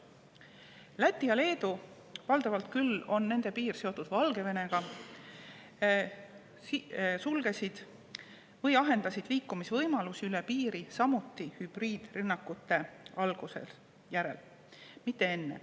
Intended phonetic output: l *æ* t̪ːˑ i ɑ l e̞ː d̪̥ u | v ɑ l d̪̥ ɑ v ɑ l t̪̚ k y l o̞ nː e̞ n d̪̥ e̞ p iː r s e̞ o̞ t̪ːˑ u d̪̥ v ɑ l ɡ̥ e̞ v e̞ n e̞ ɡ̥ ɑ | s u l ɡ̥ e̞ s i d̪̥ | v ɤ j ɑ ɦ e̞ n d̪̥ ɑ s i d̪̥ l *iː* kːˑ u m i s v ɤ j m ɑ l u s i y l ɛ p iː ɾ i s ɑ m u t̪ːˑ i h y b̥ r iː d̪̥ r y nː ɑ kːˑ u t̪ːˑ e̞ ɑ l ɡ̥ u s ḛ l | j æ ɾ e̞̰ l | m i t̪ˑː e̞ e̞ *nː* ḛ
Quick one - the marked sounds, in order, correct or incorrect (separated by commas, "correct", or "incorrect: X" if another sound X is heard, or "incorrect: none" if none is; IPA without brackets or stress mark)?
correct, correct, correct